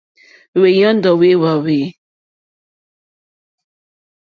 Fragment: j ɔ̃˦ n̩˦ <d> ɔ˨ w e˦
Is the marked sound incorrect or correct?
correct